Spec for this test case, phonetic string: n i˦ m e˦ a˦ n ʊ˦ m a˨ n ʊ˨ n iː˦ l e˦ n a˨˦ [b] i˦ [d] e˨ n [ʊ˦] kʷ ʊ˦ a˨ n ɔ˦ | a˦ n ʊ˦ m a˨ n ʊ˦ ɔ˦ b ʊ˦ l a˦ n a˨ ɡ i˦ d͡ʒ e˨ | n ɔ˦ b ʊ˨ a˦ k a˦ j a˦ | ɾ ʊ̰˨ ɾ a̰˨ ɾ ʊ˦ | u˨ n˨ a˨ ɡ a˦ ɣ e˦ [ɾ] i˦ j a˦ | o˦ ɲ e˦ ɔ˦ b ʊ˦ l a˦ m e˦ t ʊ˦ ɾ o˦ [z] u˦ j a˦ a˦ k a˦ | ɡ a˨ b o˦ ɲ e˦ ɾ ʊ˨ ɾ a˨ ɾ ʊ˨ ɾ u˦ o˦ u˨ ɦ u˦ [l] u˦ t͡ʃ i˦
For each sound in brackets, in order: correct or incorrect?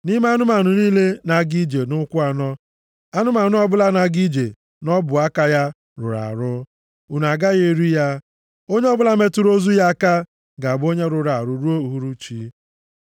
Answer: incorrect: ɡ, incorrect: d͡ʒ, correct, correct, correct, incorrect: ɾ

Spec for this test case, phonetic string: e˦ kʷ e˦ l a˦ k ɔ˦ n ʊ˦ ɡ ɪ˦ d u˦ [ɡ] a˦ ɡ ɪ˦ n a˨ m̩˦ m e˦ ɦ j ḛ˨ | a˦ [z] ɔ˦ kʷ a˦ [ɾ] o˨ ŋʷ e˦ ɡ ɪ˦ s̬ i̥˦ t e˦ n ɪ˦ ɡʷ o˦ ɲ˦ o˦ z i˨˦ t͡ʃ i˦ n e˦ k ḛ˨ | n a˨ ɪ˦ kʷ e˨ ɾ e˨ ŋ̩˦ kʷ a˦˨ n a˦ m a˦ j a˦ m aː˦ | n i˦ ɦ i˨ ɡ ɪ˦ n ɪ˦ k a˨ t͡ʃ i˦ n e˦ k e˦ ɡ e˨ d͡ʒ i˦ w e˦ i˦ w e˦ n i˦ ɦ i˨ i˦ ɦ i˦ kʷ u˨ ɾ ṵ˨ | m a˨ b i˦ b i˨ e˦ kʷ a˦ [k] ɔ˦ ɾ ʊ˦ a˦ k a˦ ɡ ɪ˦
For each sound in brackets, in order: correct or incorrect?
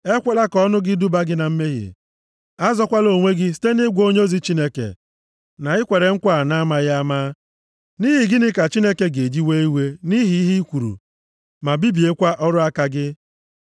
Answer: incorrect: b, correct, incorrect: l, incorrect: ʔ

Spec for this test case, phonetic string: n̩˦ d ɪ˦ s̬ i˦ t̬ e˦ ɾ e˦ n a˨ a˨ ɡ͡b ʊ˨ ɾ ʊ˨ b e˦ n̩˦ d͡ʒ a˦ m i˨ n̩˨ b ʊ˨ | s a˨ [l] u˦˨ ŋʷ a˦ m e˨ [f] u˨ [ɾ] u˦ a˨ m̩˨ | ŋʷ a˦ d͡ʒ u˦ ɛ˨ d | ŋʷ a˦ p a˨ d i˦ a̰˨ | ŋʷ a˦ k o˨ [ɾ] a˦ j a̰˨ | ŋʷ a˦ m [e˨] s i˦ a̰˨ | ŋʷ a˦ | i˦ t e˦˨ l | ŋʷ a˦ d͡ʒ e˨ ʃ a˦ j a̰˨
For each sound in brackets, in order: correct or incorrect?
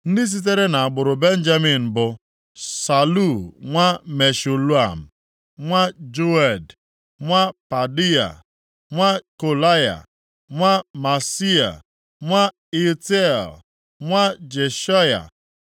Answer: correct, incorrect: ʃ, incorrect: l, incorrect: l, incorrect: a˨

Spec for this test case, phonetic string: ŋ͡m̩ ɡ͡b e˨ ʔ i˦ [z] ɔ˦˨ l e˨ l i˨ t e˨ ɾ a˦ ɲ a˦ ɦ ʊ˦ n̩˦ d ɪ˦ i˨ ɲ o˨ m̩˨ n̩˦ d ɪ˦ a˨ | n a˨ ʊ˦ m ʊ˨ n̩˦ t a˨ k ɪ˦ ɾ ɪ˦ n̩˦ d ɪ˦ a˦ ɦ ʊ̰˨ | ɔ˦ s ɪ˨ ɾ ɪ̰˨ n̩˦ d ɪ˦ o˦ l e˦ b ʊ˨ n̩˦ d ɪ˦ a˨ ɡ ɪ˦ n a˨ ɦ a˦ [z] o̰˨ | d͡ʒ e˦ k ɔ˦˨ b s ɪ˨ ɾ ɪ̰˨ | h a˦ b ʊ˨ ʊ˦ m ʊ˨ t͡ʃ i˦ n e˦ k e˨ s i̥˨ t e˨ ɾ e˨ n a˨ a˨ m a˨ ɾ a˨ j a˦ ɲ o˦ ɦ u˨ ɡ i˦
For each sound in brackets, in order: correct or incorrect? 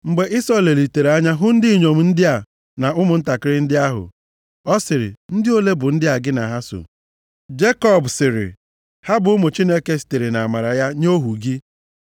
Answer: incorrect: s, incorrect: s

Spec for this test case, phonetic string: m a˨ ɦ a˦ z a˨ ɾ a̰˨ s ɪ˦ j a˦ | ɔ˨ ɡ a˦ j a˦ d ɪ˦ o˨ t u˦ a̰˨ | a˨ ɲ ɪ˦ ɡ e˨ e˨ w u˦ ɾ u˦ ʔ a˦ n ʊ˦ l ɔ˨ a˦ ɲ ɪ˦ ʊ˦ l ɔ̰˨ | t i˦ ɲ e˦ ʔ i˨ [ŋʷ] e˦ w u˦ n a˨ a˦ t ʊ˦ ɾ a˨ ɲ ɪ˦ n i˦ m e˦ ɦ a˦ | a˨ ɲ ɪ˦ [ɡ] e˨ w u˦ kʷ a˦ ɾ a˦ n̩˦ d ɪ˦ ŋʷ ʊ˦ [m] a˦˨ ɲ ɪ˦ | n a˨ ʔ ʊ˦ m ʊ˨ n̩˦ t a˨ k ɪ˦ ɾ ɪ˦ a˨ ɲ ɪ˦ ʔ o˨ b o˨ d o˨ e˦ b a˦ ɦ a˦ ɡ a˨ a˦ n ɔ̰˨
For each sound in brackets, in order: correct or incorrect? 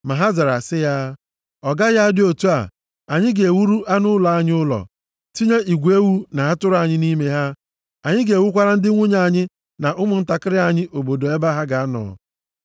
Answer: incorrect: ɡʷ, correct, incorrect: ɲ

